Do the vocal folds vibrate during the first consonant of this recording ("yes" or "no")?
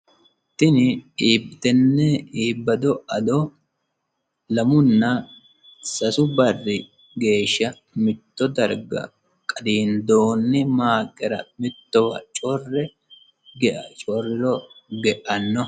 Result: no